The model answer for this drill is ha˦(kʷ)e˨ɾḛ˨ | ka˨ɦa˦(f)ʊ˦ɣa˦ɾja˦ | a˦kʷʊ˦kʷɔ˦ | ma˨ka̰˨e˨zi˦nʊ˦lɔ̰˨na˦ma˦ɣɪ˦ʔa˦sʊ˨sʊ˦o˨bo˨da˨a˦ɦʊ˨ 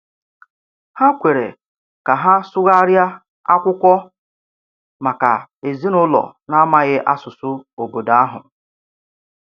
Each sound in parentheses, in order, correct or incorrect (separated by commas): correct, incorrect